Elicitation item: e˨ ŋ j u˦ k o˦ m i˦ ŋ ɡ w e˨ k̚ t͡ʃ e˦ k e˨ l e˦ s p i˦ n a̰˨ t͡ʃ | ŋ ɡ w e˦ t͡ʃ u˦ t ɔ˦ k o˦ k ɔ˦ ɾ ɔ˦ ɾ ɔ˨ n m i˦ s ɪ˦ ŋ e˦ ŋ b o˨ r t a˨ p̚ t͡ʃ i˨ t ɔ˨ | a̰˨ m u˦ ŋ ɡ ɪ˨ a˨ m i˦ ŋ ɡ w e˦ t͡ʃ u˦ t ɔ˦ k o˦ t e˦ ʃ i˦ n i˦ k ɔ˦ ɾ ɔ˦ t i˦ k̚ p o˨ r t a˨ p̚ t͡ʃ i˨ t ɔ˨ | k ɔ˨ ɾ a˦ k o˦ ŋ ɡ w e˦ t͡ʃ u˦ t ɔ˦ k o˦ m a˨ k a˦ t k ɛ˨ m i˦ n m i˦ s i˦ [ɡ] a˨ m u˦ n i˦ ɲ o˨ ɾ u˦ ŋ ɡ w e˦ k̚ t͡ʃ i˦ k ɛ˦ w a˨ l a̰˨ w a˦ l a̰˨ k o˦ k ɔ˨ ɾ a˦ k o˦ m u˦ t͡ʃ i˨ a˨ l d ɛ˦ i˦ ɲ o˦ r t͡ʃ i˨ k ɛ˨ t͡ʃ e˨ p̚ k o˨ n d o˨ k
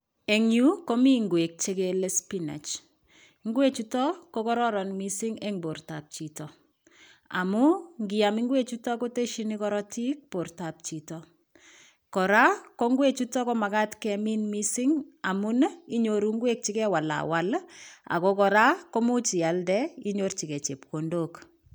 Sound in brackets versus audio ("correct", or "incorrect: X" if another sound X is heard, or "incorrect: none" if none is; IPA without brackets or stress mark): incorrect: ŋ